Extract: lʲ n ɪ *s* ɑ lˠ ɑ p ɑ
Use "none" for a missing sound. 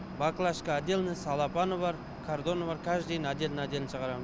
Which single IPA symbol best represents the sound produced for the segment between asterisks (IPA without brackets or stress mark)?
s